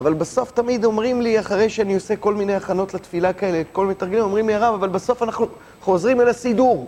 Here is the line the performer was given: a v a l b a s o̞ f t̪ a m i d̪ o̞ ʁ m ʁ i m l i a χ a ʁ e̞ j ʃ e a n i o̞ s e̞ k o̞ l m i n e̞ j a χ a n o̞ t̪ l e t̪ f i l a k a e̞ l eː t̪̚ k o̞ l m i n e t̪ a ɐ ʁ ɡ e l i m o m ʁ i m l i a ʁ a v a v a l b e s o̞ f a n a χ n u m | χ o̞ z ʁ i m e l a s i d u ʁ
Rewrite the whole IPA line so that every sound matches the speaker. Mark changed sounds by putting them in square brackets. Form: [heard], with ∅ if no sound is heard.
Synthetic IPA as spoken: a v a l b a s o̞ f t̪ a m i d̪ o̞ [∅] m ʁ i m l i a χ a ʁ e̞ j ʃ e a n i o̞ s e̞ k o̞ l m i n e̞ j a χ a n o̞ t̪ l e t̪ f i l a k a e̞ l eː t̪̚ k o̞ l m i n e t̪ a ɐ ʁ ɡ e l i m o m ʁ i m l i a ʁ a v a v a l b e s o̞ f a n a χ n u [∅] | χ o̞ z ʁ i m e l a s i d u ʁ